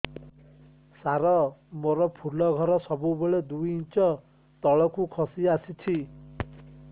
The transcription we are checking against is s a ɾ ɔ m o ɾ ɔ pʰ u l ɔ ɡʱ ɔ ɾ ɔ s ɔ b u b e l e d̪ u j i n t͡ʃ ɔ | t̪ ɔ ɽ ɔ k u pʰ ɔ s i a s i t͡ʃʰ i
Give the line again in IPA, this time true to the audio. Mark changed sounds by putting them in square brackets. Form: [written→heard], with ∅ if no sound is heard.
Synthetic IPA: s a ɾ ɔ m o ɾ ɔ pʰ u l ɔ ɡʱ ɔ ɾ ɔ s ɔ b u b e [l→ɭ] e d̪ u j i n t͡ʃ ɔ | t̪ ɔ [ɽ→ɭ] ɔ k u [pʰ→kʰ] ɔ s i a s i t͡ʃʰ i